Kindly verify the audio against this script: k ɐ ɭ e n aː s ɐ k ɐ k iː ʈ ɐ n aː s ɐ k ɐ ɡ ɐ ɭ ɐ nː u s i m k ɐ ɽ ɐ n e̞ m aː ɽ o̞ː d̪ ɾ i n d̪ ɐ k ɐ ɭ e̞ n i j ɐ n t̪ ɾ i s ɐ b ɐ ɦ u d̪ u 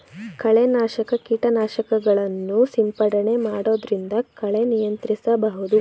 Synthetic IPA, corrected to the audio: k ɐ ɭ e n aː ʃ ɐ k ɐ k iː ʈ ɐ n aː ʃ ɐ k ɐ ɡ ɐ ɭ ɐ nː u s i m p ɐ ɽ ɐ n e̞ m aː ɽ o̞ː d̪ ɾ i n d̪ ɐ k ɐ ɭ e̞ n i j ɐ n t̪ ɾ i s ɐ b ɐ ɦ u d̪ u